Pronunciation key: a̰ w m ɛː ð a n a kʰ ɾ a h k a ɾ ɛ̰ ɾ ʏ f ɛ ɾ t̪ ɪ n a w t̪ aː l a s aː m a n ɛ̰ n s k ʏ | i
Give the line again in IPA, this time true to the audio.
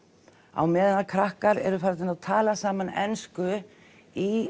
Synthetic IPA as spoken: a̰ w m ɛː ð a n a kʰ ɾ a h k a ɾ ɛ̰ ɾ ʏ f a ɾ t̪ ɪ n a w t̪ʰ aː l a s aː m a n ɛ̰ n s k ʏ | i